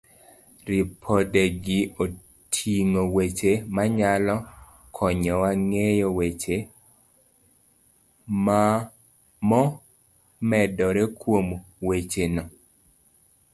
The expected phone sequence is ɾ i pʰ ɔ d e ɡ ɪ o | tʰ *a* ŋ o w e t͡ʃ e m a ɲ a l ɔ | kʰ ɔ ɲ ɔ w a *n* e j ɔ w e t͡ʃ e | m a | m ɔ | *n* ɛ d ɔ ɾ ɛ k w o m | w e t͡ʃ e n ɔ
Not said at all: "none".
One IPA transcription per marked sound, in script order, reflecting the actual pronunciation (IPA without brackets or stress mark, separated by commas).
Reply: i, ŋ, m